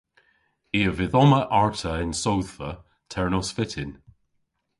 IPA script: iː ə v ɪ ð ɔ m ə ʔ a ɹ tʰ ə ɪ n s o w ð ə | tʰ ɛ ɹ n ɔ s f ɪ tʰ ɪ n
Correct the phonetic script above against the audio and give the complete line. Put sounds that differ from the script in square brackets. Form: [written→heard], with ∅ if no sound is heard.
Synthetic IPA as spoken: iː ə v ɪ ð ɔ m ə ʔ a ɹ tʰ ə ɪ n s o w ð ə | tʰ ɛ ɹ n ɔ s f ɪ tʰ ɪ n